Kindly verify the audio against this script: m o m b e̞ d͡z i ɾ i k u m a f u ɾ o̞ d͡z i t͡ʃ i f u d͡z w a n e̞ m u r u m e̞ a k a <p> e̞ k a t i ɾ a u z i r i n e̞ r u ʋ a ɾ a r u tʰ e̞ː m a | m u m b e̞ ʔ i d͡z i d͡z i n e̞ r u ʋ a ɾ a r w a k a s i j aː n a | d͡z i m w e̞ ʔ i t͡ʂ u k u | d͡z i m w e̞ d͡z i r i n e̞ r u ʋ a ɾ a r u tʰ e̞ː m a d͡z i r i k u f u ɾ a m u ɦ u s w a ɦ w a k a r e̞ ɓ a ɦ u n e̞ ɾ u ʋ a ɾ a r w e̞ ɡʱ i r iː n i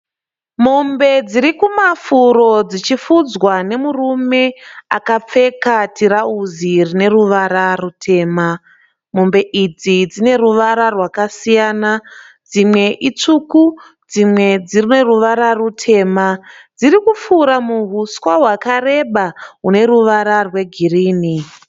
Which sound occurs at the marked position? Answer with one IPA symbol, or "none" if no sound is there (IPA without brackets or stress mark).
p͡f